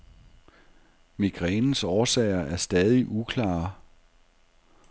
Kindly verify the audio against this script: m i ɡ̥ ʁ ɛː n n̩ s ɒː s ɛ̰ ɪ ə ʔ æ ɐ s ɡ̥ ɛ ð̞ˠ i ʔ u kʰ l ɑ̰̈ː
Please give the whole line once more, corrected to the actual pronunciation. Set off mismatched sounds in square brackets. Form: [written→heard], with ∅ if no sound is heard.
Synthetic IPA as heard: m i ɡ̥ ʁ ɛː n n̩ s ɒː s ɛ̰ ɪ [ə→ɐ] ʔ æ ɐ s [ɡ̥→d̥] ɛ ð̞ˠ i ʔ u kʰ l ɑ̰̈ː